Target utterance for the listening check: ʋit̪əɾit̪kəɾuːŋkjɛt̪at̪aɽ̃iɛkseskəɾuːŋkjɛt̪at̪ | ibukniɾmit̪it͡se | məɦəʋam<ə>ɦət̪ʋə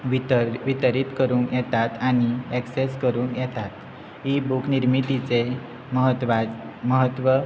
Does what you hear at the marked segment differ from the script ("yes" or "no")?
no